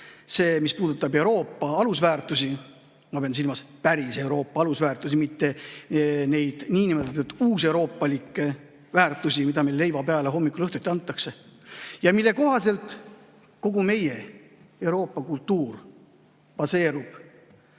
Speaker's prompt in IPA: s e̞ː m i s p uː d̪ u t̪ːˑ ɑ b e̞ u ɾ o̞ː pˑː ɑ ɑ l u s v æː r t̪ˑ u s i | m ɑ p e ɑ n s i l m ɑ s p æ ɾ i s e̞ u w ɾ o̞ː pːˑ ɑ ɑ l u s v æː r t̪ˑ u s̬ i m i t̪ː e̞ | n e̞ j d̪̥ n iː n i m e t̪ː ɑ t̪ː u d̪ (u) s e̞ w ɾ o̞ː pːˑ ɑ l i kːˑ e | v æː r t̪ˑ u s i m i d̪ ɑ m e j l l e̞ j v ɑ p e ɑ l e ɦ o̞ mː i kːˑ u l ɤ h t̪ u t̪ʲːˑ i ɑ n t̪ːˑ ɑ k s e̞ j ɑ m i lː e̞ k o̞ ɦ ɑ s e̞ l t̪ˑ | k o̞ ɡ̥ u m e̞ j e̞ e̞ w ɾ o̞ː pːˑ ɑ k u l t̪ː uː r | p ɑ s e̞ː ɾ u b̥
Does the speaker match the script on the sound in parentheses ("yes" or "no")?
no